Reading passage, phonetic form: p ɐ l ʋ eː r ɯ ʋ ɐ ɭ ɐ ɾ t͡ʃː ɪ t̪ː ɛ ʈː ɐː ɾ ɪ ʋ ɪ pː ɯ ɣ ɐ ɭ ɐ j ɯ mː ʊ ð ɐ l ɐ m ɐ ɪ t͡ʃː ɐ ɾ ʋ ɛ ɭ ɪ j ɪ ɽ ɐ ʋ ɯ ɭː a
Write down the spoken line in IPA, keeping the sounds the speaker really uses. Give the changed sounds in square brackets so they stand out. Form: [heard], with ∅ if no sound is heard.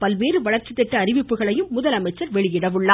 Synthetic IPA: p ɐ l ʋ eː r ɯ ʋ ɐ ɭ ɐ ɾ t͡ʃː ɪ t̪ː ɛ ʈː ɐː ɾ ɪ ʋ ɪ pː ɯ ɣ ɐ ɭ ɐ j ɯ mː ʊ ð ɐ l ɐ m ɐ ɪ t͡ʃː ɐ ɾ ʋ ɛ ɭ ɪ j ɪ ɽ ɐ ʋ ɯ ɭː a